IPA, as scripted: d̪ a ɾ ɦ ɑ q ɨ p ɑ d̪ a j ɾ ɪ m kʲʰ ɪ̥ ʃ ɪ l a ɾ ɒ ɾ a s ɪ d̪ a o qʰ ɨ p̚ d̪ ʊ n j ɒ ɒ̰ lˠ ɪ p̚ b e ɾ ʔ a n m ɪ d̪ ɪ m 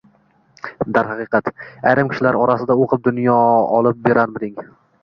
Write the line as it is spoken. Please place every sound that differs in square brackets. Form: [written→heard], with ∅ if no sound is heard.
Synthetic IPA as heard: d̪ a ɾ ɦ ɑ q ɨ [p→q] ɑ [d̪→t̪] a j ɾ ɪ m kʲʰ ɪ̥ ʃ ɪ l a ɾ ɒ ɾ a s ɪ d̪ a o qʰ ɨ p̚ d̪ ʊ n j ɒ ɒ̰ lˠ ɪ p̚ b e ɾ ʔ a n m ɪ d̪ ɪ [m→ŋ]